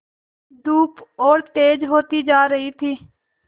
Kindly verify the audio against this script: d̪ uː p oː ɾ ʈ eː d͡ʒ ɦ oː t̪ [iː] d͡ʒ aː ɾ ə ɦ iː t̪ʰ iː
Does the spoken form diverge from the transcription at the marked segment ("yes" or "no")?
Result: no